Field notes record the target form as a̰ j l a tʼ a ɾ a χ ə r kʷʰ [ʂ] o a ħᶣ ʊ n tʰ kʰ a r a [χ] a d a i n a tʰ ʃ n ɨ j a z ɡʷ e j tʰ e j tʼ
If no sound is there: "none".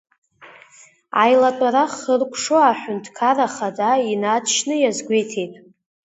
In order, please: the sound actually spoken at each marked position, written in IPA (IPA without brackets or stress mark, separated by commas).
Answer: ʂ, χ